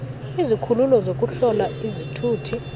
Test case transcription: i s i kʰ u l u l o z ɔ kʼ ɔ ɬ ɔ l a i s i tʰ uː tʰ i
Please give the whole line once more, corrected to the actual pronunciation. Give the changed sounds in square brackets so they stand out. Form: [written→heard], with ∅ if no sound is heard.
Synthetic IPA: i [s→z] i kʰ u l u l [o→ɔ] z [ɔ→o] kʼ [ɔ→u] ɬ ɔ l a i [s→z] i tʰ uː tʰ i